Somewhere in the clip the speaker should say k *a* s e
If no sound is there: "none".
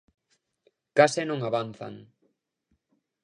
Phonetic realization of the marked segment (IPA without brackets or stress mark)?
a